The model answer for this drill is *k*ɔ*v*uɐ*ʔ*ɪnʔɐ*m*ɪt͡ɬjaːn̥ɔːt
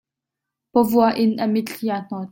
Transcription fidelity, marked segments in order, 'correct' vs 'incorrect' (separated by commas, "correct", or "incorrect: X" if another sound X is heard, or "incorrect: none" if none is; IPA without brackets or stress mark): incorrect: p, correct, correct, correct